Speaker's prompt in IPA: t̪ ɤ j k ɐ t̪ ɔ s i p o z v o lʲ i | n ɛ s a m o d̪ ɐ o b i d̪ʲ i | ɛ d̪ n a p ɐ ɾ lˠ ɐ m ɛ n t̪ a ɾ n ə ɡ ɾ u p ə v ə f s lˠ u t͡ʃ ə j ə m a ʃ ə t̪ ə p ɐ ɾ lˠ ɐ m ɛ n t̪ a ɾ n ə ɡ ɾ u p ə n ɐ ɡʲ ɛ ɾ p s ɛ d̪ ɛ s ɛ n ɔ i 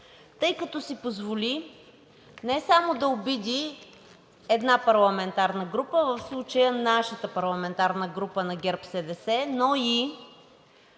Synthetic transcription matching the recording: t̪ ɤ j k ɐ t̪ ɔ s i p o z v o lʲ i | n ɛ s a m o d̪ ɐ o b i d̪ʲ i | ɛ d̪ n a p ɐ ɾ lˠ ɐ m ɛ n t̪ a ɾ n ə ɡ ɾ u p ə v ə f s lˠ u t͡ʃ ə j ə n a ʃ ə t̪ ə p ɐ ɾ lˠ ɐ m ɛ n t̪ a ɾ n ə ɡ ɾ u p ə n ɐ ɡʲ ɛ ɾ p s ɛ d̪ ɛ s ɛ n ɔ i

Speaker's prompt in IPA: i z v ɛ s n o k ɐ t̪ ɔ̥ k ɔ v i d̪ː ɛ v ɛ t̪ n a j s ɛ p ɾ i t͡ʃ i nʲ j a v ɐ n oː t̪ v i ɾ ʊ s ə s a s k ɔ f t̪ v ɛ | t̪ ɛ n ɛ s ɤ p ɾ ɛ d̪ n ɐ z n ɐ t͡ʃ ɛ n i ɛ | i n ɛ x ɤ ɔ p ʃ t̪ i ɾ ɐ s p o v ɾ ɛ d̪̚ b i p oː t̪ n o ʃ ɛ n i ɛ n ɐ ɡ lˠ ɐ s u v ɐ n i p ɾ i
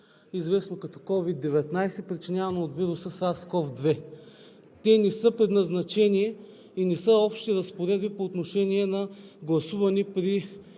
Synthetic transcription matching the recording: i z v ɛ s n o k ɐ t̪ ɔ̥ k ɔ v i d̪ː ɛ v ɛ t̪ n a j s ɛ p ɾ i t͡ʃ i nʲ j a v ɐ n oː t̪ v i ɾ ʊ s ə s a s k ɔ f d̪ v ɛ | t̪ ɛ n ɛ s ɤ p ɾ ɛ d̪ n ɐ z n ɐ t͡ʃ ɛ n i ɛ | i n ɛ s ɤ ɔ p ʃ t̪ i ɾ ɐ s p o ɾ ɛ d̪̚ b i p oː t̪ n o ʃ ɛ n i ɛ n ɐ ɡ lˠ ɐ s u v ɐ n i p ɾ i

